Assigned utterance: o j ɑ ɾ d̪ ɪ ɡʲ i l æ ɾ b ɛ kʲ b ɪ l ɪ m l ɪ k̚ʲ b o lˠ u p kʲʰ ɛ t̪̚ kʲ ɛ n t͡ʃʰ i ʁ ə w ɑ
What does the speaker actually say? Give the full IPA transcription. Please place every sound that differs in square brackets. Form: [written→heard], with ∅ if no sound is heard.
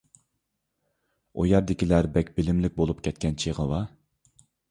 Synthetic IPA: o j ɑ ɾ d̪ ɪ [ɡʲ→kʲ] i l æ ɾ b ɛ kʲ b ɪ l ɪ m l ɪ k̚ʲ b o lˠ u p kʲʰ ɛ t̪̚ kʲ ɛ n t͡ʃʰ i ʁ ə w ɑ